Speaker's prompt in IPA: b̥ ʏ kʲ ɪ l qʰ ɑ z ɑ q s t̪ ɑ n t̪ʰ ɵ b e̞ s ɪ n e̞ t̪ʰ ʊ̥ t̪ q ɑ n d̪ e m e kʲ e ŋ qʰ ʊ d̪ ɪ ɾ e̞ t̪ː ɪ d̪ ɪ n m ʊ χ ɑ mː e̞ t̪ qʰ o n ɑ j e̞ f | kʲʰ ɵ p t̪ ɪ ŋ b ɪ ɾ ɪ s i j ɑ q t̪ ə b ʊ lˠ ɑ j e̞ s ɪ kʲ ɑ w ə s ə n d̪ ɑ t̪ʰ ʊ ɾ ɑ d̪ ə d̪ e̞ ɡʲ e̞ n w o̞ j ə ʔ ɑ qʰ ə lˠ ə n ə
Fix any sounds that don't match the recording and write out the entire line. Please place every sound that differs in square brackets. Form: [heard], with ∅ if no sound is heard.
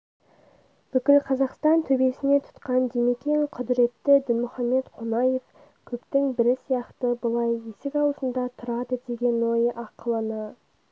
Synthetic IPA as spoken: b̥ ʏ kʲ ɪ l qʰ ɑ z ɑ q s t̪ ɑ n t̪ʰ ɵ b e̞ s ɪ n e̞ t̪ʰ ʊ̥ t̪ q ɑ n d̪ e m e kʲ e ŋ qʰ ʊ d̪ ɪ ɾ e̞ t̪ː ɪ d̪ ɪ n m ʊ χ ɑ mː e̞ t̪ qʰ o n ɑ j e̞ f | kʲʰ ɵ p t̪ ɪ ŋ b ɪ ɾ ɪ s i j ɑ q t̪ ə b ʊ lˠ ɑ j e̞ s ɪ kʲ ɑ w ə s ə n d̪ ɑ t̪ʰ ʊ ɾ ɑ d̪ ə d̪ e̞ ɡʲ e̞ n w o̞ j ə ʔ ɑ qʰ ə lˠ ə n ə